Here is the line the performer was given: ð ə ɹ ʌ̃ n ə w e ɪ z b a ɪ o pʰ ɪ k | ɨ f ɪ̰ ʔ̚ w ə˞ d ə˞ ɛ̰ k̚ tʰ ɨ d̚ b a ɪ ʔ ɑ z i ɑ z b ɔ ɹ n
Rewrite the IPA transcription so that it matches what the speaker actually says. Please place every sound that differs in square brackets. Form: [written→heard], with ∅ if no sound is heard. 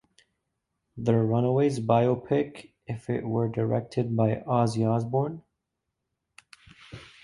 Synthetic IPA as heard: ð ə ɹ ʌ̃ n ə w e ɪ z b a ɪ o pʰ ɪ k | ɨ f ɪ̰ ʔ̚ w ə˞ d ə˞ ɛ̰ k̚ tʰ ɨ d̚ b a ɪ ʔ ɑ z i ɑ z b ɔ ɹ n